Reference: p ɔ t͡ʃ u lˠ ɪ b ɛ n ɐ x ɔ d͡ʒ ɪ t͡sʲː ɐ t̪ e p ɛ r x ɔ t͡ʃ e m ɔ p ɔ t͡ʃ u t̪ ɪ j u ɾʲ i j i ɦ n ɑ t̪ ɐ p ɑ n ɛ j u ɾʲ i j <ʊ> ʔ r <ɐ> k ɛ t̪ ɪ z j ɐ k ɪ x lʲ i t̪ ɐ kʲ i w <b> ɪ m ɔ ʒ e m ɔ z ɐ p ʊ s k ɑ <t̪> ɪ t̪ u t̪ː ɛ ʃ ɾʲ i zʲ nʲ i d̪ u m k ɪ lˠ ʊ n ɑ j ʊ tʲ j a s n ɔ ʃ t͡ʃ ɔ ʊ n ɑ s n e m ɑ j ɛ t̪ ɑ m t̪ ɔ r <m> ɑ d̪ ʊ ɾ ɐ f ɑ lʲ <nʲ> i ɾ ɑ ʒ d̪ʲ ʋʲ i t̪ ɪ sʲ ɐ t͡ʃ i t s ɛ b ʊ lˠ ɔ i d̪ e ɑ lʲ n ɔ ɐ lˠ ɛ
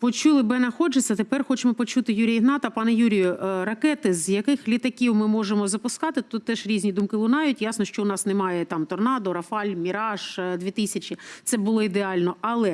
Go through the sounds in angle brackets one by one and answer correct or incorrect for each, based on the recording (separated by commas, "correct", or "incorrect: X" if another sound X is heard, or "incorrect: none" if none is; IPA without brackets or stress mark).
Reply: correct, correct, incorrect: m, correct, incorrect: n, incorrect: mʲ